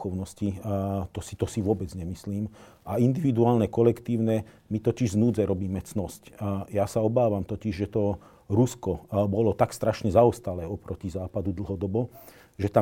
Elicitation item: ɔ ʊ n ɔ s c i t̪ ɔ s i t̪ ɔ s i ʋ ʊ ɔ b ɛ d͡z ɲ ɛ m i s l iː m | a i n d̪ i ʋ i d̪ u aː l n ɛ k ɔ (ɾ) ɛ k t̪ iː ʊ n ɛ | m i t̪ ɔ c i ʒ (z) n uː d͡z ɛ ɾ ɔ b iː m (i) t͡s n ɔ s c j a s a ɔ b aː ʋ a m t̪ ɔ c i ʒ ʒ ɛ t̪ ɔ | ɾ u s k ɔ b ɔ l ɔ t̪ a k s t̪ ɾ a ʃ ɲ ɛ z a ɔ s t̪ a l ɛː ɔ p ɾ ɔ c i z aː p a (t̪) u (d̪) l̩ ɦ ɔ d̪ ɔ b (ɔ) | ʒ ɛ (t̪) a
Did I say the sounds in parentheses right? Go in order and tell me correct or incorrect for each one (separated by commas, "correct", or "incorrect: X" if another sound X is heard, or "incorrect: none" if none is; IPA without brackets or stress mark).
incorrect: l, correct, incorrect: ɛ, incorrect: d̪, correct, correct, correct